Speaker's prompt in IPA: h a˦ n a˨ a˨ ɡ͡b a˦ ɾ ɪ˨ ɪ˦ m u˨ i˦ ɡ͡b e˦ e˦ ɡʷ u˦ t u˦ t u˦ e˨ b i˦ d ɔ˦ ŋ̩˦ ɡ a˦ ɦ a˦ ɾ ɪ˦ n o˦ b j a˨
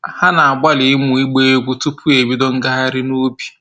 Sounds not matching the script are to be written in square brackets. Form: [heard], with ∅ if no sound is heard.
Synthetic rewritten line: h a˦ n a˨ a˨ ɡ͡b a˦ [l] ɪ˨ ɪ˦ m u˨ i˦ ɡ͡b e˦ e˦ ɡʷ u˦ t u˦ [p] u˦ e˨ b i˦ d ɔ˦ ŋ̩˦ ɡ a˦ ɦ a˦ ɾ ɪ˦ n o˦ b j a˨